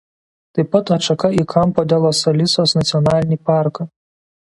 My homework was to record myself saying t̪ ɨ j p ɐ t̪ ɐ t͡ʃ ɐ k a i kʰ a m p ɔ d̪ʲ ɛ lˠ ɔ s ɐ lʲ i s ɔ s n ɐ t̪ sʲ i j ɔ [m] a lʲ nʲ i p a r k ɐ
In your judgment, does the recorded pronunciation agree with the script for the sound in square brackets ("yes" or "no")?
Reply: no